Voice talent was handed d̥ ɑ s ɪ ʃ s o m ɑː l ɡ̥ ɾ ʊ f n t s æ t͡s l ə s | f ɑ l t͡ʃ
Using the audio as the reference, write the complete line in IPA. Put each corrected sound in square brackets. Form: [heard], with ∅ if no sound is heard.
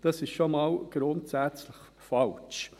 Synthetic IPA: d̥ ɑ s ɪ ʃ [ʃ] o m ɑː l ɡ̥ ɾ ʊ [∅] n t s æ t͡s l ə [χ] | f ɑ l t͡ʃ